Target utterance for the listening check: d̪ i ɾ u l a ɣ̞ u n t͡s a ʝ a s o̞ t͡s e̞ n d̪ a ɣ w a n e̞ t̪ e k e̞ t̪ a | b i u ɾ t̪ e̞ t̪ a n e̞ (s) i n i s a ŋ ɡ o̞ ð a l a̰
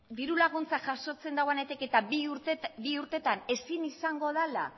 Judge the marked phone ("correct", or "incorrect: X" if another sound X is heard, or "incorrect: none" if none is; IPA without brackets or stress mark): correct